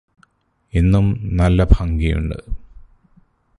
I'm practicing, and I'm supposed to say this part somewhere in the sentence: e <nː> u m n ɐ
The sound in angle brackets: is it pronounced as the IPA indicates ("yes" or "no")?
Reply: yes